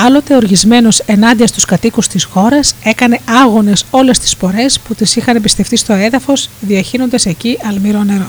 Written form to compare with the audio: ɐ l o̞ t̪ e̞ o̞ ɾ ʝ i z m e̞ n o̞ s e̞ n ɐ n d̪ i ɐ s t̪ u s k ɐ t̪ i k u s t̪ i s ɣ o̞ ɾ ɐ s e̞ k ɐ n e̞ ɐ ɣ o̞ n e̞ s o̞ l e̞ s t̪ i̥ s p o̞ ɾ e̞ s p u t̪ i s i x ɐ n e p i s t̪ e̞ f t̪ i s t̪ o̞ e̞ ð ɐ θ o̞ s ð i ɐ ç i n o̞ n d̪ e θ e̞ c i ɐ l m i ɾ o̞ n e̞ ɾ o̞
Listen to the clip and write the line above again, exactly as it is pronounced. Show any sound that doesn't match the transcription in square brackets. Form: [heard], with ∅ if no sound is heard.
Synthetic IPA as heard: ɐ l o̞ t̪ e̞ o̞ ɾ ʝ i z m e̞ n o̞ s e̞ n ɐ n d̪ i ɐ s t̪ u s k ɐ t̪ i k u s t̪ i s [x] o̞ ɾ ɐ s e̞ k ɐ n e̞ ɐ ɣ o̞ n e̞ s o̞ l e̞ s t̪ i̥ s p o̞ ɾ e̞ s p u t̪ i s i x ɐ n e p i s t̪ e̞ f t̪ i s t̪ o̞ e̞ ð ɐ [f] o̞ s ð i ɐ ç i n o̞ n d̪ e [s] e̞ c i ɐ l m i ɾ o̞ n e̞ ɾ o̞